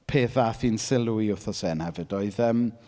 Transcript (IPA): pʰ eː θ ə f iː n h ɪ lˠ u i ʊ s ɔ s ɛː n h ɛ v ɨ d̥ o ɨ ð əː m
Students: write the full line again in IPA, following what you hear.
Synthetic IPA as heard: pʰ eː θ a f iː n s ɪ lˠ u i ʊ θ ɔ s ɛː n h ɛ v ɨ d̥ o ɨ ð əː m